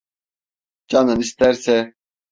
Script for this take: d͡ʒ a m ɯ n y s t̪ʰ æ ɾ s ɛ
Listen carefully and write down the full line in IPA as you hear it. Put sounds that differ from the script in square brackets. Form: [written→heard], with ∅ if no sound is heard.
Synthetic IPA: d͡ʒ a [m→n] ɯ n [y→i] s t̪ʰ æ ɾ s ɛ